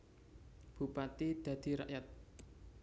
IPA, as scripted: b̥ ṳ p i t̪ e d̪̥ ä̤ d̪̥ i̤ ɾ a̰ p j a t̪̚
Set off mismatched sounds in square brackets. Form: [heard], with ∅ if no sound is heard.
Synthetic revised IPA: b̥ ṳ p [a] t̪ [i] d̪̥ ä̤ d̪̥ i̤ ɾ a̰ [ʔ] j a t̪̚